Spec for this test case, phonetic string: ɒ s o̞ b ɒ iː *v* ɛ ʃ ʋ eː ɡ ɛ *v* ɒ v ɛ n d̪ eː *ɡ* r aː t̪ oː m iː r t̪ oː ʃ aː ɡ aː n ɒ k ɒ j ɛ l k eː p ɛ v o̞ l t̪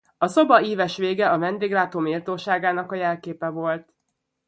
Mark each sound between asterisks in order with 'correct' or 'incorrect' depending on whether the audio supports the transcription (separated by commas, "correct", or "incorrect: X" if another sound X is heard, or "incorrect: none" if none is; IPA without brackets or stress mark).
correct, incorrect: none, correct